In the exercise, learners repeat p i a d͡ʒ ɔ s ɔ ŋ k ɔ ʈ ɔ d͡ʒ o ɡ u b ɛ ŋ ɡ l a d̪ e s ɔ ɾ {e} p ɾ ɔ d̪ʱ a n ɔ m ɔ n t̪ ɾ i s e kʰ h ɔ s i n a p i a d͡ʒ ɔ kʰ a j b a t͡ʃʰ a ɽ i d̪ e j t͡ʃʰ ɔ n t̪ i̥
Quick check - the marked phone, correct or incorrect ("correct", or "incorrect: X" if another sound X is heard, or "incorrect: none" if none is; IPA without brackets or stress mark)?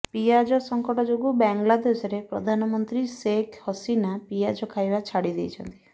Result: correct